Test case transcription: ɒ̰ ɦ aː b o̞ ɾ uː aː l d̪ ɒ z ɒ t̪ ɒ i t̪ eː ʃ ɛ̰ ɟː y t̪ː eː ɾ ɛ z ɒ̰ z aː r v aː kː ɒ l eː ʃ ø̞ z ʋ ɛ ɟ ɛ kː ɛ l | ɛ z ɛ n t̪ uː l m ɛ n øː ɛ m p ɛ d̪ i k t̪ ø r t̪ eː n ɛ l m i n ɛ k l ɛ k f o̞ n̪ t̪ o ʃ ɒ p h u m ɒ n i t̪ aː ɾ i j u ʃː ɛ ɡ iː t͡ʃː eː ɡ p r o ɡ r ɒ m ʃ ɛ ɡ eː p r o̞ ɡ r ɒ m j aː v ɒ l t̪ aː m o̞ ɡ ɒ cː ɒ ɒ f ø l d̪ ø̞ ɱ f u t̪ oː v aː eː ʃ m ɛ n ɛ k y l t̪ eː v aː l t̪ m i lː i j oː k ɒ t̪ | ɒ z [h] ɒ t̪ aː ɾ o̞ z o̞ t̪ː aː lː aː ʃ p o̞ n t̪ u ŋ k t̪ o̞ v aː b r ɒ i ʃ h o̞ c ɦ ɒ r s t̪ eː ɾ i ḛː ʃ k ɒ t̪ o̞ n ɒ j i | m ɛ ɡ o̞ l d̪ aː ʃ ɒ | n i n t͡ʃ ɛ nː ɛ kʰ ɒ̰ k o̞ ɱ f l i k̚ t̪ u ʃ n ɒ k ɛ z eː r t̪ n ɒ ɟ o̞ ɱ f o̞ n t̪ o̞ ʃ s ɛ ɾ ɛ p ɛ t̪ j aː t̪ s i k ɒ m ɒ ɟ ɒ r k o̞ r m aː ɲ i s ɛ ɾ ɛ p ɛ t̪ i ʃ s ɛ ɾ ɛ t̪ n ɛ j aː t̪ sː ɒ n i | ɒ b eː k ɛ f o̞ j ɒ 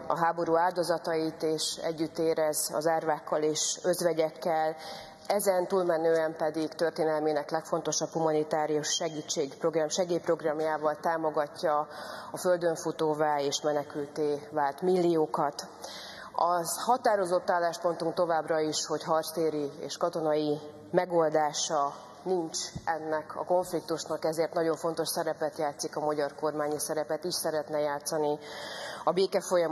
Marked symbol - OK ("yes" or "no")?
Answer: yes